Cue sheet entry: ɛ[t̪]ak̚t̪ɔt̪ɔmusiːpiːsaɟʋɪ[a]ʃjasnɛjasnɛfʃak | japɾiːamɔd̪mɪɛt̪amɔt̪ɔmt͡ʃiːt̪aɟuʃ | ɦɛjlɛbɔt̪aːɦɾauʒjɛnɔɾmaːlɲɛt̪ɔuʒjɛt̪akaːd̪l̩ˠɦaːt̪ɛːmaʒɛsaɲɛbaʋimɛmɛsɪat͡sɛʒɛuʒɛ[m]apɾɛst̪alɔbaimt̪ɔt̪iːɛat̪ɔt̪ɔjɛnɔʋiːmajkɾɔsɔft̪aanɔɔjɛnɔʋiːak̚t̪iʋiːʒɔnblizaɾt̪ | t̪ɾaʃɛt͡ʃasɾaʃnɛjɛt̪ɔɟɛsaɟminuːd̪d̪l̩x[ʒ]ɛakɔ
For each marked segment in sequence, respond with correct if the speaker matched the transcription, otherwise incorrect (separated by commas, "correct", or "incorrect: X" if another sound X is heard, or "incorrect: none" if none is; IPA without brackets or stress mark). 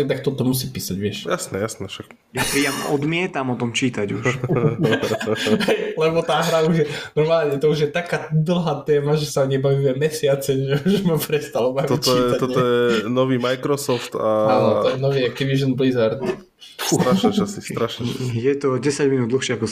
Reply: correct, incorrect: ɛ, correct, incorrect: ʃ